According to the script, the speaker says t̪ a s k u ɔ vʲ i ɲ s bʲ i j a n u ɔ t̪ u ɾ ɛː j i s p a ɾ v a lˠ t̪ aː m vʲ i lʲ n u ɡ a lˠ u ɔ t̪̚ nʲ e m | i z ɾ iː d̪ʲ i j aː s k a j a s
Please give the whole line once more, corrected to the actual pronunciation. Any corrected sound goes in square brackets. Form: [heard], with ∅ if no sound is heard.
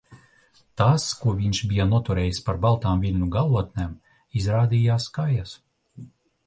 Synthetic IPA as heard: t̪ a s k u ɔ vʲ i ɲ [ʃ] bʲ i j a n u ɔ t̪ u ɾ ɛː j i s p a ɾ [b] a lˠ t̪ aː m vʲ i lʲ n u ɡ a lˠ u ɔ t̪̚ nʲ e m | i z ɾ [aː] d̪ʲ i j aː s k a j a s

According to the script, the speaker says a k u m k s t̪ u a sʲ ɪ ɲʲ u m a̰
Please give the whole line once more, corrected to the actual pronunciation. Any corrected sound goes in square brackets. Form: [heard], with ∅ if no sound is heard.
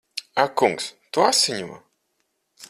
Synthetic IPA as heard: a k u [ŋ] k s t̪ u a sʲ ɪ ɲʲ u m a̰

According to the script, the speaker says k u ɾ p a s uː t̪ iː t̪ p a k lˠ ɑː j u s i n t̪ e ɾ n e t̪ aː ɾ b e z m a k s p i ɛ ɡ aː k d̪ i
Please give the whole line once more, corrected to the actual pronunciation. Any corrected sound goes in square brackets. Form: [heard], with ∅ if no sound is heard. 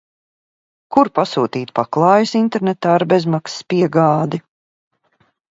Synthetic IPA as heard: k u ɾ p a s uː t̪ iː t̪ p a k lˠ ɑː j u s i n t̪ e ɾ n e t̪ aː ɾ b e z m a k s p i ɛ ɡ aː [∅] d̪ i

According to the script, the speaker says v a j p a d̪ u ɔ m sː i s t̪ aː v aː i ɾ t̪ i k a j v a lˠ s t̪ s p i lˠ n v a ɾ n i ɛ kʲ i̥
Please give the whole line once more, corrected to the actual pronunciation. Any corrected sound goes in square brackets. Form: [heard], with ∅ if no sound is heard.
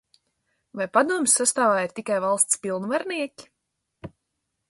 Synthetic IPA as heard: v a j p a d̪ u ɔ m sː [a] s t̪ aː v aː i ɾ t̪ i k a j v a lˠ s t̪ s p i lˠ n v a ɾ n i ɛ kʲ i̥

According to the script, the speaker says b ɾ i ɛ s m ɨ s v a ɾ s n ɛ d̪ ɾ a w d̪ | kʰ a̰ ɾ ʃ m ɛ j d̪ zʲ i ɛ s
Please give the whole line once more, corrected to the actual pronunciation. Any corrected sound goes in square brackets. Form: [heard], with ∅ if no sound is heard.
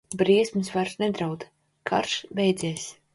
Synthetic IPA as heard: b ɾ i ɛ s m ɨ s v a ɾ s n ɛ d̪ ɾ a w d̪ | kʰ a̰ ɾ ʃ [b] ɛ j d̪ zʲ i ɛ s

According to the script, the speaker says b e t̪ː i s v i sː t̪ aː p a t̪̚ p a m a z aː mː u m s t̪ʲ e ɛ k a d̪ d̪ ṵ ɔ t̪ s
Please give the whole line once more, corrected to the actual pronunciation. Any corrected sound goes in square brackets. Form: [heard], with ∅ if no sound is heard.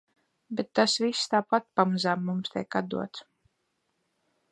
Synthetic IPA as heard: b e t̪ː [a] s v i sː t̪ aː p a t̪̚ p a m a z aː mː u m s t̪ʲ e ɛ k a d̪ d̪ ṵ ɔ t̪ s

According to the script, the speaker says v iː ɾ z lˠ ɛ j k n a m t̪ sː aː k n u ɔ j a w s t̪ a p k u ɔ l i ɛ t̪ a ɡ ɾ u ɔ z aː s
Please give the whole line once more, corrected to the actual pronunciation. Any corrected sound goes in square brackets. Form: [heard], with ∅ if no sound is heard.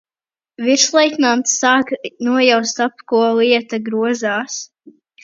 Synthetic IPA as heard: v [i] ɾ [s] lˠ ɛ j k n a m t̪ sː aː k n u ɔ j a w s t̪ a p k u ɔ l i ɛ t̪ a ɡ ɾ u ɔ z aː s

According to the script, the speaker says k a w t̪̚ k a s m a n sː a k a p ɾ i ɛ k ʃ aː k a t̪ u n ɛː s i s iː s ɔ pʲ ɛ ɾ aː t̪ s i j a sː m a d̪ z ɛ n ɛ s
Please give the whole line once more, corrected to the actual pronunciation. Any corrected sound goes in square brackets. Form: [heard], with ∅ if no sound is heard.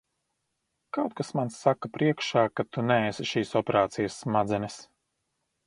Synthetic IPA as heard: k a w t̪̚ k a s m a n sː a k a p ɾ i ɛ k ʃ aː k a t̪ u n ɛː s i [ʃ] iː s ɔ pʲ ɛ ɾ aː t̪ s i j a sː m a d̪ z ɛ n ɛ s

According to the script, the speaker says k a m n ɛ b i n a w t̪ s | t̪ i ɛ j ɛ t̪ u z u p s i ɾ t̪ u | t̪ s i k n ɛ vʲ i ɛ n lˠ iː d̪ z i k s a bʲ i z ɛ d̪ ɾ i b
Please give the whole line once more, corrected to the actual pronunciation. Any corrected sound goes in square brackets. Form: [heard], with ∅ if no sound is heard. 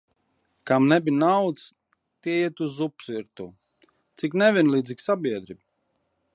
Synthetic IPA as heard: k a m n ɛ b i n a w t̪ s | t̪ i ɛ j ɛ t̪ u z u p s i ɾ t̪ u | t̪ s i k n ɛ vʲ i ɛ n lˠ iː d̪ z i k s a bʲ i [∅] ɛ d̪ ɾ i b

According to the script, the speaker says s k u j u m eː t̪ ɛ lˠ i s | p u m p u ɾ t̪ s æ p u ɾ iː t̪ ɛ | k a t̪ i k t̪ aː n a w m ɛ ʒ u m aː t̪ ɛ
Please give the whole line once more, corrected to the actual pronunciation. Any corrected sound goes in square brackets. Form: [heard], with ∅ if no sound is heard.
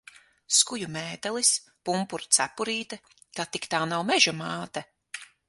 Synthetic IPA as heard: s k u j u m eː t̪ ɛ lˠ i s | p u m p u ɾ t̪ s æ p u ɾ iː t̪ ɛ | k a t̪ i k t̪ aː n a w m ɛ ʒ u m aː t̪ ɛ

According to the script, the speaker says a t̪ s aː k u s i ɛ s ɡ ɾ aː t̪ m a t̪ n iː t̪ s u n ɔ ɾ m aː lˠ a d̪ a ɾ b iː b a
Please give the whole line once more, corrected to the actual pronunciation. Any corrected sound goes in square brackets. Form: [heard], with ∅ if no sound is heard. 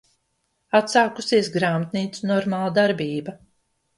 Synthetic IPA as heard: a t̪ s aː k u s i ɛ s ɡ ɾ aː [∅] m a t̪ n iː t̪ s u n ɔ ɾ m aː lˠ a d̪ a ɾ b iː b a

